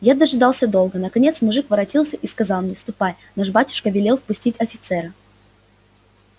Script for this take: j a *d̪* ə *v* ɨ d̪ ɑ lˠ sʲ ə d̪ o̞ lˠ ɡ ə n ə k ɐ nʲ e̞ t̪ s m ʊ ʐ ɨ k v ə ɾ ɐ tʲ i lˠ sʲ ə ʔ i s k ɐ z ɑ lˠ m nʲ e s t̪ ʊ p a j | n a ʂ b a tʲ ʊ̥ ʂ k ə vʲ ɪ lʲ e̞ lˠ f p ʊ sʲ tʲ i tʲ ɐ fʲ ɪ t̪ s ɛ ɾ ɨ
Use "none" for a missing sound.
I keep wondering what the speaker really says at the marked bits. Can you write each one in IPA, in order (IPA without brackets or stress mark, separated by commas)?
d̪, ʐ